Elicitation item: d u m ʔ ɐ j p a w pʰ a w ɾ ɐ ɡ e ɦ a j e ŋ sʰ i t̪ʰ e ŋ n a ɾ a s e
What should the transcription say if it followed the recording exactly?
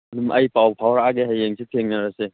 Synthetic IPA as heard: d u m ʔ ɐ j p a w pʰ a w ɾ a ɡ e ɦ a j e ŋ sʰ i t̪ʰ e ŋ n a ɾ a s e

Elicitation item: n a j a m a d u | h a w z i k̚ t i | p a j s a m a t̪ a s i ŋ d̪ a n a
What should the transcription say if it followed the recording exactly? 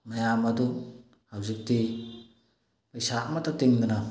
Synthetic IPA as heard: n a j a m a d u | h a w z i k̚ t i | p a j s a m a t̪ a t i ŋ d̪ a n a

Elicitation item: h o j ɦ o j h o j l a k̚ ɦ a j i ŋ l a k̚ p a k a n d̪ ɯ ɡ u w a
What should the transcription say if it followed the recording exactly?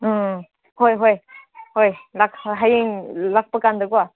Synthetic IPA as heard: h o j ɦ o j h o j l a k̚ ɦ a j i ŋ l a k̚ p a k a n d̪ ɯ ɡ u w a

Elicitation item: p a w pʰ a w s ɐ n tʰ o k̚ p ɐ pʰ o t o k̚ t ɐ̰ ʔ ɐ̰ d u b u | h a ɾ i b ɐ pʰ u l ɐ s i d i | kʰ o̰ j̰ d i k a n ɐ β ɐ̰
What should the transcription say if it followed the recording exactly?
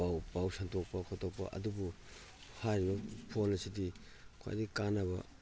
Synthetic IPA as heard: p a w p a w s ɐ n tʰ o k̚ p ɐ kʰ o t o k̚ p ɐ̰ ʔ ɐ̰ d u b u | h a ɾ i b ɐ pʰ o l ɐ s i d i | kʰ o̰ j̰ d i k a n ɐ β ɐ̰

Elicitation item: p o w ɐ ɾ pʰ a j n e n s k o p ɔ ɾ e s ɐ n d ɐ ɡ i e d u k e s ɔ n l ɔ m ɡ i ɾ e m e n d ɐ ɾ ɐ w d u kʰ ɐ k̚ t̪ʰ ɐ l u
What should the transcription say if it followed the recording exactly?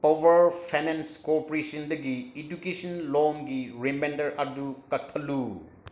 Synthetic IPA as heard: p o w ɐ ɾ pʰ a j n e n s k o p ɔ ɾ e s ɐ n d ɐ ɡ i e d u k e s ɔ n l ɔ m ɡ i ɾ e m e n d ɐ ɾ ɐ d u k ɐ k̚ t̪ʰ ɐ l u

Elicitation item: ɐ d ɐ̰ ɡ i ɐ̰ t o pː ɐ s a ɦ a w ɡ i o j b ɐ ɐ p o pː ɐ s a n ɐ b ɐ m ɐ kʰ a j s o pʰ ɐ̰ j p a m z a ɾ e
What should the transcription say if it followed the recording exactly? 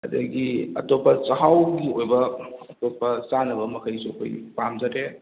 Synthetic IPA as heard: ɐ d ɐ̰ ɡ i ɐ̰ t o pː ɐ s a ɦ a w ɡ i o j b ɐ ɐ t o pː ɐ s a n ɐ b ɐ m ɐ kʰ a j s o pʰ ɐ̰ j p a m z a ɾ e

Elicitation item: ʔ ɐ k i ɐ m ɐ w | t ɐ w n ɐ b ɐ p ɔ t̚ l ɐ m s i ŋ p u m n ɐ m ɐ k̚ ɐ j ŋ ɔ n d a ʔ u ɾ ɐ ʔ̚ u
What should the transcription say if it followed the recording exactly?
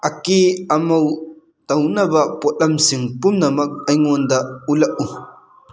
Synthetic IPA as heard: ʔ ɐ k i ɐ m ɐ w | t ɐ w n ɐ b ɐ p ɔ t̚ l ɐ m s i ŋ p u m n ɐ m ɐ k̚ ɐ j ŋ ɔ n d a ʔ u l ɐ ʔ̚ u

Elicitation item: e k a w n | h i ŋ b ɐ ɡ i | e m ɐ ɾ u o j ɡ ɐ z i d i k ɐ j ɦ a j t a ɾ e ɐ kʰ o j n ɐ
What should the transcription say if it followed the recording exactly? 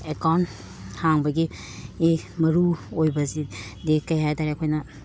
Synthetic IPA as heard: e k a w n | h a ŋ b ɐ ɡ i | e m ɐ ɾ u o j b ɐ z i d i k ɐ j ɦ a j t a ɾ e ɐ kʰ o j n ɐ

